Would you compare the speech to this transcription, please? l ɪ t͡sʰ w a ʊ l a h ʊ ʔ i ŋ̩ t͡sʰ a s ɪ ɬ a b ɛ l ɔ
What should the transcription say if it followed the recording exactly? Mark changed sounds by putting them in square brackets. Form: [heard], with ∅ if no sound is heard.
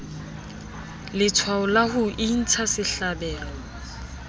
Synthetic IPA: l ɪ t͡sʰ w a ʊ l a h ʊ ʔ i [n̩] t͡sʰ a s ɪ ɬ a b [ɛː] l ɔ